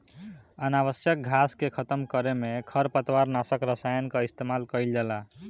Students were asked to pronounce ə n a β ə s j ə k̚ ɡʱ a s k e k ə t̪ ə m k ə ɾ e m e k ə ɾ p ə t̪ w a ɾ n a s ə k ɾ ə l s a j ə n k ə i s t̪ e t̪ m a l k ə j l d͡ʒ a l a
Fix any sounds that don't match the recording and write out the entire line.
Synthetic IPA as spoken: ə n a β ə s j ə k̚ ɡʱ a s k e kʰ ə t̪ ə m k ə ɾ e m e kʰ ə ɾ p ə t̪ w a ɾ n a s ə k ɾ ə s a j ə n k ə i s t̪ e m a l k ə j l d͡ʒ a l a